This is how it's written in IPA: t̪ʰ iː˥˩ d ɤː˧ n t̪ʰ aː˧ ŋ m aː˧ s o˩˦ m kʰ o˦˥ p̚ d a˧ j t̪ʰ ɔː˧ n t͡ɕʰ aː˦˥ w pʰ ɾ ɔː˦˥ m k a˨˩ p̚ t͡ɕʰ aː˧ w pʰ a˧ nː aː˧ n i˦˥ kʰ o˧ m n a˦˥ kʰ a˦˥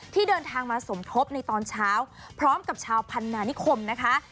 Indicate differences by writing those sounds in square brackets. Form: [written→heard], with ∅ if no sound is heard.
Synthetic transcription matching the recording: t̪ʰ iː˥˩ d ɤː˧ n t̪ʰ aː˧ ŋ m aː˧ s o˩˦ m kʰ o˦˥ p̚ [d→n] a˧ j [t̪ʰ→t̪] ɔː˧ n t͡ɕʰ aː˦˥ w pʰ ɾ ɔː˦˥ m k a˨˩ p̚ t͡ɕʰ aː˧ w pʰ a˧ nː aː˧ n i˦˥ kʰ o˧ m n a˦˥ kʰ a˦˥